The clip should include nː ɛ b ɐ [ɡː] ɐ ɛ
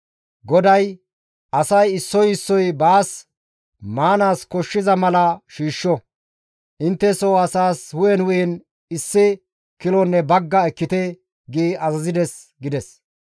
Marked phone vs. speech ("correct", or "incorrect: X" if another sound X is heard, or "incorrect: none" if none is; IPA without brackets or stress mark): correct